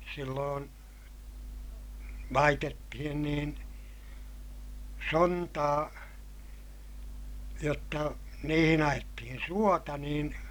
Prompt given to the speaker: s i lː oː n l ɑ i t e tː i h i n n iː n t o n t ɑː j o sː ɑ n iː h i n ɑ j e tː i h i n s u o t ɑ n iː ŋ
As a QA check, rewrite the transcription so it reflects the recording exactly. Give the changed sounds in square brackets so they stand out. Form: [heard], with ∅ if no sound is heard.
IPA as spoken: s i lː oː n l ɑ i t e tː i h i n n iː n [s] o n t ɑː j o [tː] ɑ n iː h i n ɑ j e tː i h i n s u o t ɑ n iː [n]